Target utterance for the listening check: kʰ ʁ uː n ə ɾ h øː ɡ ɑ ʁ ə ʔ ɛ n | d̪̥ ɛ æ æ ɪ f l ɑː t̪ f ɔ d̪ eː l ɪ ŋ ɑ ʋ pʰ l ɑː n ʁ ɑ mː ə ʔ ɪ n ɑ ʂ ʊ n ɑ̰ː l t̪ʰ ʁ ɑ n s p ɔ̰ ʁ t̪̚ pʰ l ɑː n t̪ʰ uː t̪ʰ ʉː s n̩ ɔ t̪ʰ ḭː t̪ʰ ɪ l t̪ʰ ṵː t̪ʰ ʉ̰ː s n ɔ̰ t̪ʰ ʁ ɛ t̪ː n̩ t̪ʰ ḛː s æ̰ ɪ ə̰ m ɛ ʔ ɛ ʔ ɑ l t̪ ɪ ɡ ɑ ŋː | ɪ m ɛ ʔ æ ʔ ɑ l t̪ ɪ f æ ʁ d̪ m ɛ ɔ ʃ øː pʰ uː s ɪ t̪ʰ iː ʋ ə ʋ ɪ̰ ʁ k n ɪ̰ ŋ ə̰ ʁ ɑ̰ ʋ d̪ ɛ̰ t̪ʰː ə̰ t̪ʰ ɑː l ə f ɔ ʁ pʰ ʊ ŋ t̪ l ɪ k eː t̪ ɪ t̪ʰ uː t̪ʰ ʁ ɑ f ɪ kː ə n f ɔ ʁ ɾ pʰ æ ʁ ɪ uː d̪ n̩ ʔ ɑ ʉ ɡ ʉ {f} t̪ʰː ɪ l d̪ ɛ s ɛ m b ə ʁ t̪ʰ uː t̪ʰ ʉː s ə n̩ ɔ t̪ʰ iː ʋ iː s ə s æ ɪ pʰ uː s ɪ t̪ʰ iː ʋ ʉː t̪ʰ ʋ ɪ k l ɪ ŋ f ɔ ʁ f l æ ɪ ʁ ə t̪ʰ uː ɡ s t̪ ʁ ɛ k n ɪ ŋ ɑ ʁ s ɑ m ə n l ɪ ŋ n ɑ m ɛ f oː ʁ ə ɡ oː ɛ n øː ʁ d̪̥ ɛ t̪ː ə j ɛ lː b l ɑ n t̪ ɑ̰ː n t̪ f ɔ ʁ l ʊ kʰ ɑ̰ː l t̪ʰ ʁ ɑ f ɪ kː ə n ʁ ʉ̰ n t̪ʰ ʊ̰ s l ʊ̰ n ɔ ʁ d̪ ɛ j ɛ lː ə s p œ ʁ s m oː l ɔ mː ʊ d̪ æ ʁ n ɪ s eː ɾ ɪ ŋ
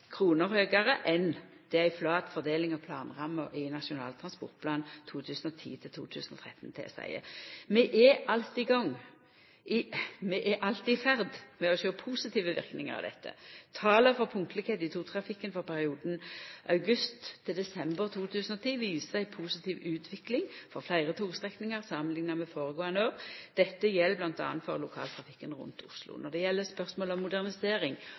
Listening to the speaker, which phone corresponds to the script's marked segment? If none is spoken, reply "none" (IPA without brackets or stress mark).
s